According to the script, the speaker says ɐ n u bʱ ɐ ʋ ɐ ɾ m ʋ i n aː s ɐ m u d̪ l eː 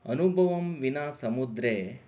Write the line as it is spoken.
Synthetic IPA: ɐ n u bʱ ɐ ʋ ɐ m ʋ i n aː s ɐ m u d̪ ɾ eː